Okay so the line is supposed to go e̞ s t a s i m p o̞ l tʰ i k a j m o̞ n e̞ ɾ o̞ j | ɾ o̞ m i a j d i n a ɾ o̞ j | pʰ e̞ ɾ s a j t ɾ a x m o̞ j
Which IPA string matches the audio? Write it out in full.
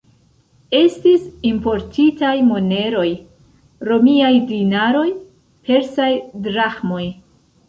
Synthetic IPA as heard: e̞ s t i s i m p o̞ ɾ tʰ i t a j m o̞ n e̞ ɾ o̞ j | ɾ o̞ m i a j d i n a ɾ o̞ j | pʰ e̞ ɾ s a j d ɾ a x m o̞ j